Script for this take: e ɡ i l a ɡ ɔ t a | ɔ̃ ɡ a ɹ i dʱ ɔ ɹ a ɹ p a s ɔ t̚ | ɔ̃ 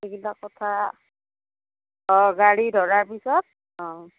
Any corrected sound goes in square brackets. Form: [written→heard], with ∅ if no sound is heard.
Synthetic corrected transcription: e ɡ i l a [ɡ→k] ɔ [t→tʰ] a | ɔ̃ ɡ a ɹ i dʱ ɔ ɹ a ɹ p [a→i] s ɔ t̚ | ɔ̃